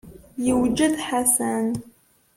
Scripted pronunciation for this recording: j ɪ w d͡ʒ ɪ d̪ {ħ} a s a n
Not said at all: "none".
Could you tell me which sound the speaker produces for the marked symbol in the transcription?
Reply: ħ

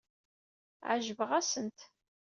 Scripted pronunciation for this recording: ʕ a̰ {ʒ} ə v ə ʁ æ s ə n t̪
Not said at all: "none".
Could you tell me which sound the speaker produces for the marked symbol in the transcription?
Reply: ʒ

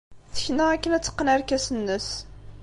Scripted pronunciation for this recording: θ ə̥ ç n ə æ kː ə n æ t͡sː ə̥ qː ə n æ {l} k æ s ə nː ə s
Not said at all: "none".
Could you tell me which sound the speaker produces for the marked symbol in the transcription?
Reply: ɾ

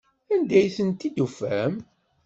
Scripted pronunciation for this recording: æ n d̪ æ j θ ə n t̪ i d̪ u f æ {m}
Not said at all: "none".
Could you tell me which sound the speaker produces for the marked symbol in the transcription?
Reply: m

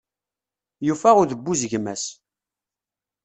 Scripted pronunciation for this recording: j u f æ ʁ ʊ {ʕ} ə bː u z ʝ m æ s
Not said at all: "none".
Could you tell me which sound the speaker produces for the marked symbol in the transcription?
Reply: ð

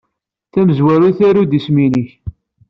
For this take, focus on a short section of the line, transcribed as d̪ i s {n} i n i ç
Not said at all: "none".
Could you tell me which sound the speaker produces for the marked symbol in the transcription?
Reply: m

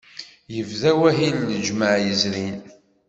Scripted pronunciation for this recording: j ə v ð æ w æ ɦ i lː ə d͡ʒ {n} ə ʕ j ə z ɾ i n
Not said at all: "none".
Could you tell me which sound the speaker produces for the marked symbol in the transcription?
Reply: m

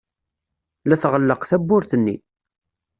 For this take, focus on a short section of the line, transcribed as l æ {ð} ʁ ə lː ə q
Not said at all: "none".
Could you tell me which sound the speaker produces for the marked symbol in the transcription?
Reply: θ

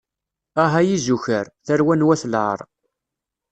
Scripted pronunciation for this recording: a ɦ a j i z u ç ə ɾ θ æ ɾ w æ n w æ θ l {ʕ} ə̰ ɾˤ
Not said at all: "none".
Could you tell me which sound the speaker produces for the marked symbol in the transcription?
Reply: ʕ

